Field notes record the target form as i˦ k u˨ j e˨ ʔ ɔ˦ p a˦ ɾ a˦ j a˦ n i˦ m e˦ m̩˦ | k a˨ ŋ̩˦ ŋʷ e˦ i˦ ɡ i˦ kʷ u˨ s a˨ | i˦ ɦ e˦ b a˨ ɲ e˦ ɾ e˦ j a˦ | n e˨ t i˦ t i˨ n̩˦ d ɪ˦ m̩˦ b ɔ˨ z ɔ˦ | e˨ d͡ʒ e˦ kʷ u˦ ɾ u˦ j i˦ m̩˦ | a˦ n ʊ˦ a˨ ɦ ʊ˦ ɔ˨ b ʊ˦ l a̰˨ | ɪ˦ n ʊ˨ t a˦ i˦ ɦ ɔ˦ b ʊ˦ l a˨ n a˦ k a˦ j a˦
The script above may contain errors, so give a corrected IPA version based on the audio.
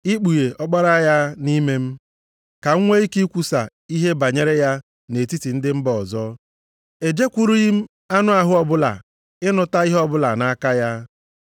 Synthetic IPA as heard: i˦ k͡p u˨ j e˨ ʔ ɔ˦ k͡p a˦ ɾ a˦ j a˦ n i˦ m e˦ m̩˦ | k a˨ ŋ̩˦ ŋʷ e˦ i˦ k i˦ kʷ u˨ s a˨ | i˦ ɦ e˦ b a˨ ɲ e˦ ɾ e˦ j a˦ | n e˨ t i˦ t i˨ n̩˦ d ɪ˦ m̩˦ b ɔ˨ z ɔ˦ | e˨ d͡ʒ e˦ kʷ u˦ ɾ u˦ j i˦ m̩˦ | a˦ n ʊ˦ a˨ ɦ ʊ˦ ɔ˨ b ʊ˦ l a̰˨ | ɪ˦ n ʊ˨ t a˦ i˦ ɦ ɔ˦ b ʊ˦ l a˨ n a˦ k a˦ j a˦

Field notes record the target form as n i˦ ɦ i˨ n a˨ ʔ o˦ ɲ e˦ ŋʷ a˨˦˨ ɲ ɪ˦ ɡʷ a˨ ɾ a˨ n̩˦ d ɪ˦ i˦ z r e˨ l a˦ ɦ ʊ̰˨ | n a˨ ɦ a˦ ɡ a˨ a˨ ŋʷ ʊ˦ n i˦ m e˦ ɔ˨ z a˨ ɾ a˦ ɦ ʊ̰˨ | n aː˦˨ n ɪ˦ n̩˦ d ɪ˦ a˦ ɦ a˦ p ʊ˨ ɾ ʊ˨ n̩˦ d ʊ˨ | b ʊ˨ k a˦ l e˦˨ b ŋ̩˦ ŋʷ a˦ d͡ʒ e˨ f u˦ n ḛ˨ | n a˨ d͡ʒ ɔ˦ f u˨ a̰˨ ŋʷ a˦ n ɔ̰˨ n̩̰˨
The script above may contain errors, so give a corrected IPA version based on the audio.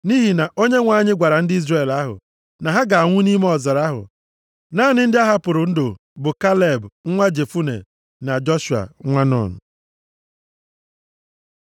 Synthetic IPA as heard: n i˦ ɦ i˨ n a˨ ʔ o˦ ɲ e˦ ŋʷ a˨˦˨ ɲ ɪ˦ ɡʷ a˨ ɾ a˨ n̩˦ d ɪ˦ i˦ z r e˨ l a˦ ɦ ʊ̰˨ | n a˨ ɦ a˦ ɡ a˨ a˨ ŋʷ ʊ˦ n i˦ m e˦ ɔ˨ z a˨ ɾ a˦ ɦ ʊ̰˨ | n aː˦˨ n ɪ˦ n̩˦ d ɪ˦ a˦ ɦ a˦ p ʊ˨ ɾ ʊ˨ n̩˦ d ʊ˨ | b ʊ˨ k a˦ l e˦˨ b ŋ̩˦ ŋʷ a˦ d͡ʒ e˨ f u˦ n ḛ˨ | n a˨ d͡ʒ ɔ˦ ʃ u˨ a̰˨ ŋʷ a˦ n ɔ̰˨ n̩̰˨

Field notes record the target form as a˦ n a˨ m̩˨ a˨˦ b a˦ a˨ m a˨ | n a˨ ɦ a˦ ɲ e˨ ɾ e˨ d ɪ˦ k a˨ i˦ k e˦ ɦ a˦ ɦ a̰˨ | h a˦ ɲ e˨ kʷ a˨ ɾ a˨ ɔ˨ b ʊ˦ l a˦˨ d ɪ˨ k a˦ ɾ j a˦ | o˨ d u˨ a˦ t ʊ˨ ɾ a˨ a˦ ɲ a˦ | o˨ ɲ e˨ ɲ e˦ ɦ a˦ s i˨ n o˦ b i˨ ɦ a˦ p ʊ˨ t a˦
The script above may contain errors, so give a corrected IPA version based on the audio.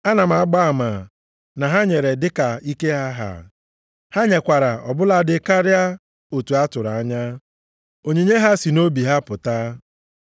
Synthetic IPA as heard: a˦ n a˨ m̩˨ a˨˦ ɡ͡b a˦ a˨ m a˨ | n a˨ ɦ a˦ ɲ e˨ ɾ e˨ d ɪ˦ k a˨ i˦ k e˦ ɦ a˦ ɦ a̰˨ | h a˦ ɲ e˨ kʷ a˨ ɾ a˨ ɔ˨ b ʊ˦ l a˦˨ d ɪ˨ k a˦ ɾ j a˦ | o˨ t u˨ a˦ t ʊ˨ ɾ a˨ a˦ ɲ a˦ | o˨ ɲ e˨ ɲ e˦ ɦ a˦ s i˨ n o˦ b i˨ ɦ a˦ p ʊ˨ t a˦

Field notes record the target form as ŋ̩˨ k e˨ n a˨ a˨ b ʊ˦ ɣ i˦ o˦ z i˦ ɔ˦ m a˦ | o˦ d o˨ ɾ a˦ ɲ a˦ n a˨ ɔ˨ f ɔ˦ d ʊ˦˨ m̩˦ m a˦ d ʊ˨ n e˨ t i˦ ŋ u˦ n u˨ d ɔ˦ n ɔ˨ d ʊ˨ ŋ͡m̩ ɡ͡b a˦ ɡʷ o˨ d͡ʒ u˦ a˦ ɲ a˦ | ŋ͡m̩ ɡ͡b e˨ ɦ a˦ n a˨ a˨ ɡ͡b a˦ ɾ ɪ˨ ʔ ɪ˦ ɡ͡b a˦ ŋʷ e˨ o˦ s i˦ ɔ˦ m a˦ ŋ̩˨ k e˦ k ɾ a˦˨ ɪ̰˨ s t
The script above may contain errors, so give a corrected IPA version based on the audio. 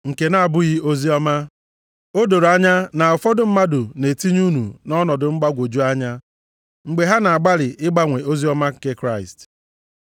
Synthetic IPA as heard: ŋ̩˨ k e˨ n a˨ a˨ b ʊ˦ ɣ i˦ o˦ z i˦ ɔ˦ m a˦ | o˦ d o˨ ɾ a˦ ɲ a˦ n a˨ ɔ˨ f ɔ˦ d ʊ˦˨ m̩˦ m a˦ d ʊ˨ n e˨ t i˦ ɲ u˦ n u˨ n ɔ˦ n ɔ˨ d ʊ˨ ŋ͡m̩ ɡ͡b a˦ ɡʷ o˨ d͡ʒ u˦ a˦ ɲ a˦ | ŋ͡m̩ ɡ͡b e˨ ɦ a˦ n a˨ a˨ ɡ͡b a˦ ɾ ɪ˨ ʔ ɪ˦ ɡ͡b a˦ ŋʷ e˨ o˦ z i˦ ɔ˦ m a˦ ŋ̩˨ k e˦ k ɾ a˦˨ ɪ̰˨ s t

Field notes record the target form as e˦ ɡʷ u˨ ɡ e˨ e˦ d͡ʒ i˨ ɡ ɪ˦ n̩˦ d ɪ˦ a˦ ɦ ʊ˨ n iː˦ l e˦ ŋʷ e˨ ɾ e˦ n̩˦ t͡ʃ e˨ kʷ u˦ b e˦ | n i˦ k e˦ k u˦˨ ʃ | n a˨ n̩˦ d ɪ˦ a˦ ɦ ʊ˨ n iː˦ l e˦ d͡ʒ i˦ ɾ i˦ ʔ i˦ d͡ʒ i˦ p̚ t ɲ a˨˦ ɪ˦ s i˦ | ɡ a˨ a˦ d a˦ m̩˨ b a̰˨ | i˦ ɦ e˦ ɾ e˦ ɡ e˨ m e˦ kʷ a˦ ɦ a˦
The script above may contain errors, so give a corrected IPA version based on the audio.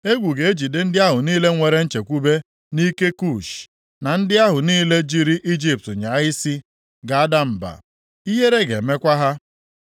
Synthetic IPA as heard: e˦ ɡʷ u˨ ɡ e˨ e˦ d͡ʒ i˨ d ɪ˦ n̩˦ d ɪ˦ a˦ ɦ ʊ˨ n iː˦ l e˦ ŋʷ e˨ ɾ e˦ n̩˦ t͡ʃ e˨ kʷ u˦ b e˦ | n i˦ k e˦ k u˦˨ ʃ | n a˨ n̩˦ d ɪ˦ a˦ ɦ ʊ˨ n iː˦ l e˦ d͡ʒ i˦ ɾ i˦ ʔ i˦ d͡ʒ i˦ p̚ t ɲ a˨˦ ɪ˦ s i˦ | ɡ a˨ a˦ d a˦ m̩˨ b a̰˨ | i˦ ɦ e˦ ɾ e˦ ɡ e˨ m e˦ kʷ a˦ ɦ a˦

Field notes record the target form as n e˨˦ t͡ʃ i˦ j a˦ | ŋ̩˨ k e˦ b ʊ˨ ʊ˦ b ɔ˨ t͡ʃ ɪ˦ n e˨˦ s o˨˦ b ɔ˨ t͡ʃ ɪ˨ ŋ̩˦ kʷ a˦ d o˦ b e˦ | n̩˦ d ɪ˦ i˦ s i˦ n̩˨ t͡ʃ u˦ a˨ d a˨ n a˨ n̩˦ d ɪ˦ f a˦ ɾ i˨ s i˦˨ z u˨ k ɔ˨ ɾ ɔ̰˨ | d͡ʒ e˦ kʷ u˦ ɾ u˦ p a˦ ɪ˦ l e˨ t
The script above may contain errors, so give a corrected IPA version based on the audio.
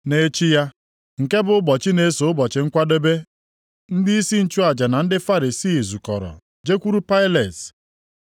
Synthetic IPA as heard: n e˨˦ t͡ʃ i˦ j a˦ | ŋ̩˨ k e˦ b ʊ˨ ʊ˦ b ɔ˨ t͡ʃ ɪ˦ n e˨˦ s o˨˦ b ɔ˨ t͡ʃ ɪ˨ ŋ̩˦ kʷ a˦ d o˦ b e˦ | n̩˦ d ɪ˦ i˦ s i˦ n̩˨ t͡ʃ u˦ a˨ d͡ʒ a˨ n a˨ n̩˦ d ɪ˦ f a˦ ɾ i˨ s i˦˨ z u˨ k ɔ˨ ɾ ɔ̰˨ | d͡ʒ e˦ kʷ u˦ ɾ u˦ p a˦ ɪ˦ l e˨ t

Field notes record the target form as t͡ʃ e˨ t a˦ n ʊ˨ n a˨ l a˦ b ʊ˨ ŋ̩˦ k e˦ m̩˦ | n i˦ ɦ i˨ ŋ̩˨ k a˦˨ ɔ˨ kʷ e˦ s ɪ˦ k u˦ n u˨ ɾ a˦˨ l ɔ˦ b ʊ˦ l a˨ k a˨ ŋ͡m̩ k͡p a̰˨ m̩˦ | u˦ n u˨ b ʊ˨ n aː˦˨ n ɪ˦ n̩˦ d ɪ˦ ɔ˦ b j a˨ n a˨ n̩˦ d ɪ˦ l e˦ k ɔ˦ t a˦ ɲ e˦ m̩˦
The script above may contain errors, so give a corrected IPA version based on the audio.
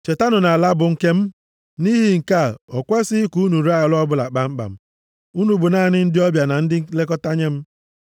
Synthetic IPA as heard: t͡ʃ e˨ t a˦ n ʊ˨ n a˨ l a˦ b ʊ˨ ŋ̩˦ k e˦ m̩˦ | n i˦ ɦ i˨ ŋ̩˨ k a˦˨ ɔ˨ kʷ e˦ s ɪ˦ k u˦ n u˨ ɾ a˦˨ l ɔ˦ b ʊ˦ l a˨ k͡p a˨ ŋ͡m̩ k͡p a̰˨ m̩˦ | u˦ n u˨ b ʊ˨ n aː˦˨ n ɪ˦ n̩˦ d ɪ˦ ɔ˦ b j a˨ n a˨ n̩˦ d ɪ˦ l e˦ k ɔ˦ t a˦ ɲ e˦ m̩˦

